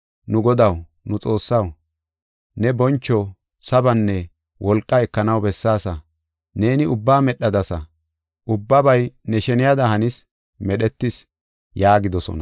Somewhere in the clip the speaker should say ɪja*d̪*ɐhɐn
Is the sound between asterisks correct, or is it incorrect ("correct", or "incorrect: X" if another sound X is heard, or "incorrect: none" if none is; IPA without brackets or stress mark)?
correct